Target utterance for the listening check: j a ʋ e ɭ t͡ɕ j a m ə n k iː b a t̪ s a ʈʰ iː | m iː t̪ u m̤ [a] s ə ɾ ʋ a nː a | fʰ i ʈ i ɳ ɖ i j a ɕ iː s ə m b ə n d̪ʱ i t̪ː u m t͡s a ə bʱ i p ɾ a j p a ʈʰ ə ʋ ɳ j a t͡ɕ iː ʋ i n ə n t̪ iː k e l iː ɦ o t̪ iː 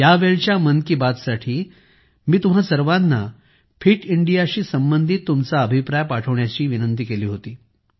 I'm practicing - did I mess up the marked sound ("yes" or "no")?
no